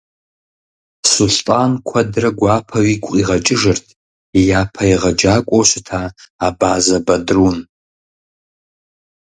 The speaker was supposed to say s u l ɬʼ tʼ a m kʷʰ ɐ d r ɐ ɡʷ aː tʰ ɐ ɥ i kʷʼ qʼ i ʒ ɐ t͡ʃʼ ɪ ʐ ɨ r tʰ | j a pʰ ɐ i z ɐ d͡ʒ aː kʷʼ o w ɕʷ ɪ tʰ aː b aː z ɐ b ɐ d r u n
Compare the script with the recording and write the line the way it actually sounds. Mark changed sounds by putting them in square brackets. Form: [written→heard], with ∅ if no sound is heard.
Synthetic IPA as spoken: s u l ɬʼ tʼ a [m→n] kʷʰ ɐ d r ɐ ɡʷ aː [tʰ→pʰ] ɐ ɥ i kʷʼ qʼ i [ʒ→ʁ] ɐ t͡ʃʼ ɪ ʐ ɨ r tʰ | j a pʰ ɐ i [z→ʁ] ɐ d͡ʒ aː kʷʼ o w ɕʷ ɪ tʰ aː b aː z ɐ b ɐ d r u n

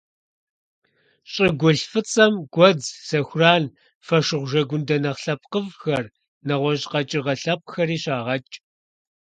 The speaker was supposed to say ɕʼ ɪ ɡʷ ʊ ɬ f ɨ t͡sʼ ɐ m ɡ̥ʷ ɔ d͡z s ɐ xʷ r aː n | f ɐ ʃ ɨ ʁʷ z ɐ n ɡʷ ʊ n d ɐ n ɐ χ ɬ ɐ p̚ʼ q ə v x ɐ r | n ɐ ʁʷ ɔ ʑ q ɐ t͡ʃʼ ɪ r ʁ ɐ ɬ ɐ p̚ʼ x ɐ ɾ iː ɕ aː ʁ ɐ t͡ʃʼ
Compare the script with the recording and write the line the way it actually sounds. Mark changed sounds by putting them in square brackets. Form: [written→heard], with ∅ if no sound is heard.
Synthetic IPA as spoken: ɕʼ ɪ ɡʷ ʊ ɬ f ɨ t͡sʼ ɐ m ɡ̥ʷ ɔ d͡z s ɐ xʷ r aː n | f ɐ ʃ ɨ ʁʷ [z→ʒ] ɐ [n→∅] ɡʷ ʊ n d ɐ n ɐ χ ɬ ɐ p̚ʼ q ə v x ɐ r | n ɐ ʁʷ ɔ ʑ q ɐ t͡ʃʼ ɪ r ʁ ɐ ɬ ɐ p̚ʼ x ɐ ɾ iː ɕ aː ʁ ɐ t͡ʃʼ

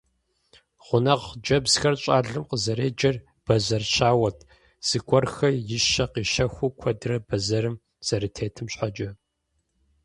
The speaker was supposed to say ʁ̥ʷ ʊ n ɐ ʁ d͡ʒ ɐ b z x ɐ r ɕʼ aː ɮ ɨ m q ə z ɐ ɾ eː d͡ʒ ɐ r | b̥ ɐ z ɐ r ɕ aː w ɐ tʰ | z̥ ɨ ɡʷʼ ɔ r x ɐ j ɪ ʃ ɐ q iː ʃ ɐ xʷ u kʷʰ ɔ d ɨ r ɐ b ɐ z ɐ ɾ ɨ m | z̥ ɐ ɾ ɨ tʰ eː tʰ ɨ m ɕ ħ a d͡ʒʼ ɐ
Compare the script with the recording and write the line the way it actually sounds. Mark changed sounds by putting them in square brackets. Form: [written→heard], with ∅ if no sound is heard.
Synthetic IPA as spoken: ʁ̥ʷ ʊ n ɐ ʁ d͡ʒ ɐ b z x ɐ r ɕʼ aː ɮ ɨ m q ə z ɐ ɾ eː d͡ʒ ɐ r | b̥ ɐ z ɐ r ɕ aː w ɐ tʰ | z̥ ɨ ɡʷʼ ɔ r x ɐ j ɪ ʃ ɐ q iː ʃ ɐ xʷ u kʷʰ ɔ d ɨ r ɐ b ɐ z ɐ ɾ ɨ m | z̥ ɐ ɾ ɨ tʰ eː tʰ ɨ m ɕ ħ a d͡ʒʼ ɐ

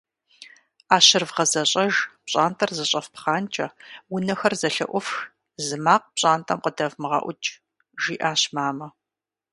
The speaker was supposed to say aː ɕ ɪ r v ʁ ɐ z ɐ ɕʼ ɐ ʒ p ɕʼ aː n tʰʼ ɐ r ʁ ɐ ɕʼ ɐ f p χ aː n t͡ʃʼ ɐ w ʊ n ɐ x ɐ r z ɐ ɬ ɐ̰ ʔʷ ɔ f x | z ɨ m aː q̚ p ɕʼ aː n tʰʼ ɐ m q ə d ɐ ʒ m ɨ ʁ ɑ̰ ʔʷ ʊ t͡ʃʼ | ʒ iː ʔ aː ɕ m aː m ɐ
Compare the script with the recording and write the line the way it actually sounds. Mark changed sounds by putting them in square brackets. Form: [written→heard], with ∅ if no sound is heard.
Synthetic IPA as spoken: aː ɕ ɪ r v ʁ ɐ z ɐ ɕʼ ɐ ʒ p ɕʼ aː n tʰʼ ɐ r [ʁ→z] ɐ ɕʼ ɐ f p χ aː n t͡ʃʼ ɐ w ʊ n ɐ x ɐ r z ɐ ɬ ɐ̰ ʔʷ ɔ f x | z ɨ m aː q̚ p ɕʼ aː n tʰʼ ɐ m q ə d ɐ [ʒ→v] m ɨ ʁ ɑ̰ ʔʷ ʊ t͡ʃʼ | ʒ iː ʔ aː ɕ m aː m ɐ

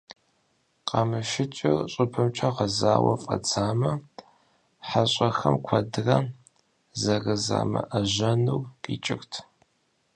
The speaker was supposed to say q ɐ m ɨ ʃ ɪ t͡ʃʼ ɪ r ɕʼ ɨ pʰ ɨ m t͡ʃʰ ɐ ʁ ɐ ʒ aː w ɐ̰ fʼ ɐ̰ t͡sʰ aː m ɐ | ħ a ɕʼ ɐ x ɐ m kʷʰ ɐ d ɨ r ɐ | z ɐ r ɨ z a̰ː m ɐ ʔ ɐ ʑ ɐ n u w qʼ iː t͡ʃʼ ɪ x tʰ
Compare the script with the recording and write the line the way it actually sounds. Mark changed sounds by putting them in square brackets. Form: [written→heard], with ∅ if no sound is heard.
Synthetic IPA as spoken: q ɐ m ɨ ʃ ɪ t͡ʃʼ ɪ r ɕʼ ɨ pʰ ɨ m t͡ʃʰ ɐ ʁ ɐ [ʒ→z] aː w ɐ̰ fʼ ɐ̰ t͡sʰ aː m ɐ | ħ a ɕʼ ɐ x ɐ m kʷʰ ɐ d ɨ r ɐ | z ɐ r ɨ z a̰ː m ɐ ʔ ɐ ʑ ɐ n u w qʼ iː t͡ʃʼ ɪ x tʰ

